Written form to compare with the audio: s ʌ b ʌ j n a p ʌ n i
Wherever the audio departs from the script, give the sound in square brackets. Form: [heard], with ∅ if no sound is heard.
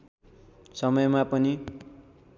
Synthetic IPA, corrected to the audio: s ʌ [m] ʌ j [m] a p ʌ n i